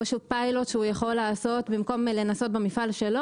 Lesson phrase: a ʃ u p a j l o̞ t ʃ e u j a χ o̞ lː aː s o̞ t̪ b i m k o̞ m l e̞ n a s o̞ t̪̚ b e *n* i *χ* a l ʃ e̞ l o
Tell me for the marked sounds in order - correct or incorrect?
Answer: incorrect: m, incorrect: f

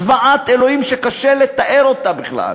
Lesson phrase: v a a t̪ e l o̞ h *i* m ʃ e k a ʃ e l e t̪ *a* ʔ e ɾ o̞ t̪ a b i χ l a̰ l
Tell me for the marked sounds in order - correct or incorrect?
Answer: correct, correct

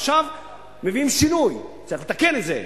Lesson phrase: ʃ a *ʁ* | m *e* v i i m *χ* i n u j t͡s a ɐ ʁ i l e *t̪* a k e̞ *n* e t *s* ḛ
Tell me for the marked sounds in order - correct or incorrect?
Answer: incorrect: v, correct, incorrect: ʃ, correct, correct, incorrect: z

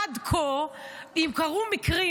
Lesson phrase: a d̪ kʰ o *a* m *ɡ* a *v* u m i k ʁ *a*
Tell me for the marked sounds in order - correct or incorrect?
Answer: incorrect: i, incorrect: k, incorrect: ʁ, incorrect: i

